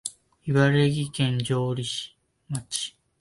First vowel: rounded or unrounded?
unrounded